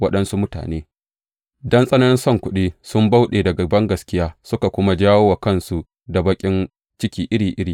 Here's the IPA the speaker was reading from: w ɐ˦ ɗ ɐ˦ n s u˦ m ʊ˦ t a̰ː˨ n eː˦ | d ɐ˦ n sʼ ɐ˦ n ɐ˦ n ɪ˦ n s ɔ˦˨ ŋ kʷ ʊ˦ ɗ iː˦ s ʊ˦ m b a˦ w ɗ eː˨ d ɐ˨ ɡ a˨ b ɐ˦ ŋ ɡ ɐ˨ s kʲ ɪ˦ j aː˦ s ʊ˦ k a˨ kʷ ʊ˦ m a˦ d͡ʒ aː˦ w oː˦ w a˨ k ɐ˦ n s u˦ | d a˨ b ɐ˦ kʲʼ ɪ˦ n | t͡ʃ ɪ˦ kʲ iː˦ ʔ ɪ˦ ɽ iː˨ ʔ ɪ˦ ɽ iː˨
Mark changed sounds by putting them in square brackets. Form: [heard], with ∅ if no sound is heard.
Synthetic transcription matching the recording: w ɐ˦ ɗ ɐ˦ n s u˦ m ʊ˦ t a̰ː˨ n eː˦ | d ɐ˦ n sʼ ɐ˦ n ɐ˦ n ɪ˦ n s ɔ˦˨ ŋ kʷ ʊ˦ ɗ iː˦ s ʊ˦ m b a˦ w ɗ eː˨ d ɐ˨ ɡ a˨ b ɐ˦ ŋ ɡ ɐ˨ s kʲ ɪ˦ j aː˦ s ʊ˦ k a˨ kʷ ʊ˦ m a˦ d͡ʒ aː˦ w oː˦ w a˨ k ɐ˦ n s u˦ | d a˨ b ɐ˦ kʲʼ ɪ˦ n | t͡ʃ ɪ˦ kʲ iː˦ ʔ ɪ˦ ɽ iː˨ ʔ ɪ˦ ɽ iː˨